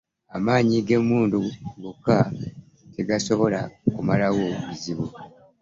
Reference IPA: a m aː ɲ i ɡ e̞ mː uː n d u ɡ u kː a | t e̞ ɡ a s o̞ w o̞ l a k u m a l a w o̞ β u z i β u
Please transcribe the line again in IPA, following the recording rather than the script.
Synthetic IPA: a m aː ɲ i ɡ e̞ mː uː n d u ɡ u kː a | t e̞ ɡ a s o̞ β o̞ l a k u m a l a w o̞ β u z i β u